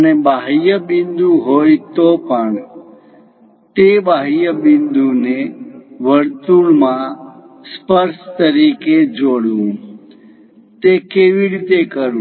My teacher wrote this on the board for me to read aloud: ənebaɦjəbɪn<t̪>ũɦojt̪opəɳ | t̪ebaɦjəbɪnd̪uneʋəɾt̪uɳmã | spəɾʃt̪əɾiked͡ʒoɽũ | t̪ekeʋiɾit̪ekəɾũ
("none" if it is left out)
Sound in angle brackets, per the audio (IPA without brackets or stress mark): d̪